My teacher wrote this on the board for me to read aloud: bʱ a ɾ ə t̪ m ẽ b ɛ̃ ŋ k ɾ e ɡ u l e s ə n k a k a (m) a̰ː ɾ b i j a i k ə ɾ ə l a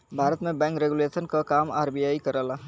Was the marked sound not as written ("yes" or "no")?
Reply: no